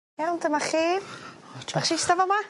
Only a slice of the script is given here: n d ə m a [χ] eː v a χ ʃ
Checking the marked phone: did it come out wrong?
no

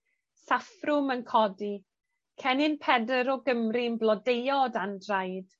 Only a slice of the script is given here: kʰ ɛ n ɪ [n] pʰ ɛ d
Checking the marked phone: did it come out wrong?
no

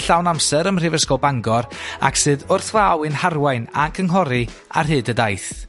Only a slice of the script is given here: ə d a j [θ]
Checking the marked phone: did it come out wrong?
no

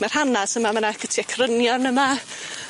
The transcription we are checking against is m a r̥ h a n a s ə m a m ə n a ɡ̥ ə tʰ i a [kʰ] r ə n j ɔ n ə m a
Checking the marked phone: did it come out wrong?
no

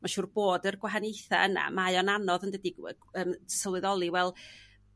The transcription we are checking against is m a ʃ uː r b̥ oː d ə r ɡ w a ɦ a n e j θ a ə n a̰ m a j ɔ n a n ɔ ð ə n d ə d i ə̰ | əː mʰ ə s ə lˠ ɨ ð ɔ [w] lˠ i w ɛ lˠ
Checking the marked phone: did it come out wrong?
yes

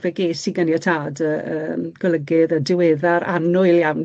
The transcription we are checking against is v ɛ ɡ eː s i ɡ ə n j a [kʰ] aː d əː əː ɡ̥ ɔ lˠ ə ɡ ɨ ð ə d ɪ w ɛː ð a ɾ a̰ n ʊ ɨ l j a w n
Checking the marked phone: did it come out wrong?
yes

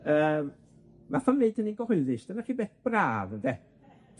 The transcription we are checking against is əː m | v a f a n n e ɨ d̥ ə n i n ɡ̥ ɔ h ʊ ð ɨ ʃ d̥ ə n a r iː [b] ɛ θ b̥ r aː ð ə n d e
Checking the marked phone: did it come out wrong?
no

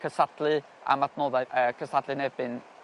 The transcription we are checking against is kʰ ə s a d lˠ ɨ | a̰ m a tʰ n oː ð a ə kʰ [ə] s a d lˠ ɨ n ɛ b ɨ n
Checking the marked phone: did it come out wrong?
no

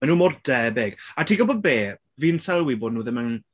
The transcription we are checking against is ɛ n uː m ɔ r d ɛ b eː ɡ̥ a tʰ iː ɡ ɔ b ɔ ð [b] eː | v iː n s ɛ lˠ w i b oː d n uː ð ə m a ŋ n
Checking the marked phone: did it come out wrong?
no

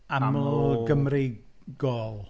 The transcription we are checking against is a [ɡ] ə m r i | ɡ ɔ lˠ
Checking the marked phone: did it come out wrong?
no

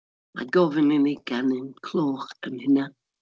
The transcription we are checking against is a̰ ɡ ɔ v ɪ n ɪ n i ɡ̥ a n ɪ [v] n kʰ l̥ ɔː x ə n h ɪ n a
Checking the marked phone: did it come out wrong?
yes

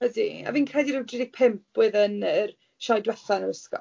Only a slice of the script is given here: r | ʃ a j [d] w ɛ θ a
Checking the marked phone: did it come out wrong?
no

